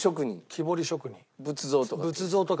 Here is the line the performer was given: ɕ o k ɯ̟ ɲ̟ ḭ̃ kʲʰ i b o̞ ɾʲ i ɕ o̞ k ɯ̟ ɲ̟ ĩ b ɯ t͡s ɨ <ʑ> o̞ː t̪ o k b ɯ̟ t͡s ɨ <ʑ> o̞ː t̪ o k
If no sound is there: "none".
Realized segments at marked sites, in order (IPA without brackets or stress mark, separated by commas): z, z